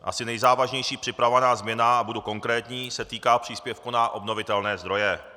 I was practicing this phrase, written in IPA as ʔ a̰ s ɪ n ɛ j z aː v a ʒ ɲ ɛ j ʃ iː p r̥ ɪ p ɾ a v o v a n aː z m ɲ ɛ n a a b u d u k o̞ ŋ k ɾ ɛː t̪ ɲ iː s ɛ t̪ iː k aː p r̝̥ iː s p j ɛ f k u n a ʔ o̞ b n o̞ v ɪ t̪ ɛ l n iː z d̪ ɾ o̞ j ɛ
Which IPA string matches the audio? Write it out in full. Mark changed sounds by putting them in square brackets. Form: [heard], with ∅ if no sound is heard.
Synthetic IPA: ʔ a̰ s ɪ n ɛ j z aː v a ʒ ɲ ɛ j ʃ iː p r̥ ɪ p ɾ a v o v a n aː z m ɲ ɛ n a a b u d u k o̞ ŋ k ɾ ɛː t̪ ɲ iː s ɛ t̪ iː k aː p r̝̥ iː s p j ɛ f k u n a ʔ o̞ b n o̞ v ɪ t̪ ɛ l n [ɛː] z d̪ ɾ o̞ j ɛ